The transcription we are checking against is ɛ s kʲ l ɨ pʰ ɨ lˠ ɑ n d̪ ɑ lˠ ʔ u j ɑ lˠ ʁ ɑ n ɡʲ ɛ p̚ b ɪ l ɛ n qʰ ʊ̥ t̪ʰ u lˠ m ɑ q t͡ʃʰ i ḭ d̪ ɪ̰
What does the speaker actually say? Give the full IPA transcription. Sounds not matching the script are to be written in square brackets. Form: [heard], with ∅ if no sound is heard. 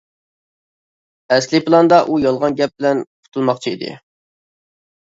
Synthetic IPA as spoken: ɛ s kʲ l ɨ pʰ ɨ lˠ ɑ n d̪ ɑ [∅] ʔ u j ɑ lˠ ʁ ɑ n ɡʲ ɛ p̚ b ɪ l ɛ n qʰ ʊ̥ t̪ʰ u lˠ m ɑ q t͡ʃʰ i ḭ d̪ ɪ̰